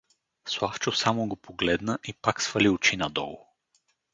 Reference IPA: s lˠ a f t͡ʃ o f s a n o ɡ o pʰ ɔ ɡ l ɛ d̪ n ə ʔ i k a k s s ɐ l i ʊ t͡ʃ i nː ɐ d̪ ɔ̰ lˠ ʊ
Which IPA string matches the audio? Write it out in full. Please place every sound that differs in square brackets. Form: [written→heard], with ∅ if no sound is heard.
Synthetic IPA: s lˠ a f t͡ʃ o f s a [n→m] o ɡ o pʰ [ɔ→o] ɡ l ɛ d̪ n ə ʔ i [k→p] a k s [s→f] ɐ l i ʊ t͡ʃ i [nː→n] ɐ d̪ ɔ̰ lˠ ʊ